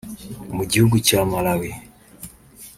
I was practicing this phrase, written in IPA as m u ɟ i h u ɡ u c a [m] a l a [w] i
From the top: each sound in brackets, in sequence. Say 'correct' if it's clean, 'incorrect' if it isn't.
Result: correct, correct

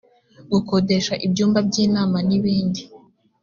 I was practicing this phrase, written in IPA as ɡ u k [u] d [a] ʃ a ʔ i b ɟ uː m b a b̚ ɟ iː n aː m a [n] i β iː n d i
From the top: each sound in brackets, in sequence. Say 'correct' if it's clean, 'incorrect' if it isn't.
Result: incorrect: o, incorrect: e, correct

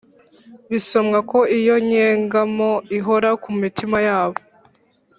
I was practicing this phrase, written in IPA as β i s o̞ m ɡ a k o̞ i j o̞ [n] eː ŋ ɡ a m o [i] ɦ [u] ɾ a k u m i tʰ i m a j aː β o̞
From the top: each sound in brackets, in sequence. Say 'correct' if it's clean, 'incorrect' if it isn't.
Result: incorrect: ɲ, correct, incorrect: o

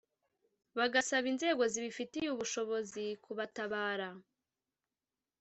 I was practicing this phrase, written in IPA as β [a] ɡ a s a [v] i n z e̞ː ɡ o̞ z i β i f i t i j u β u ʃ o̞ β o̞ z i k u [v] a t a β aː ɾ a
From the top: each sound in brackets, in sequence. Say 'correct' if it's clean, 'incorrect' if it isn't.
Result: correct, incorrect: β, incorrect: β

